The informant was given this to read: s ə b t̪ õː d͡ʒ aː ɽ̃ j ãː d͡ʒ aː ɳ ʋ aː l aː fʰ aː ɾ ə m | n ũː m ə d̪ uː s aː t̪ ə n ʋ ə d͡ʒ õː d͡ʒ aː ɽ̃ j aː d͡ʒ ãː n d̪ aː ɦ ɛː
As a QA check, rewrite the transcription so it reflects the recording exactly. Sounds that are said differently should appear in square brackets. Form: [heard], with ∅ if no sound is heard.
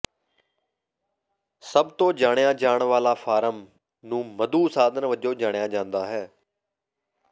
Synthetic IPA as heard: s ə b t̪ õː d͡ʒ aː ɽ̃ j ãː d͡ʒ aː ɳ ʋ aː l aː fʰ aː ɾ ə m | n ũː m ə d̪ uː s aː [d̪] ə n ʋ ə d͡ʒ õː d͡ʒ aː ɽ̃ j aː d͡ʒ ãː n d̪ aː ɦ ɛː